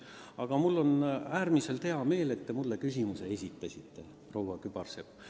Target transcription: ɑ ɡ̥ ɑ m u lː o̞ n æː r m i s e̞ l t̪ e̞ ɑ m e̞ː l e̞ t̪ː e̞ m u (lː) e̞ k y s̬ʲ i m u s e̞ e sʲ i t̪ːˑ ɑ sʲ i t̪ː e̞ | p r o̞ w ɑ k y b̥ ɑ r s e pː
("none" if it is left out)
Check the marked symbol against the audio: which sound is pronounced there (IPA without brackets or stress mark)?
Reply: lː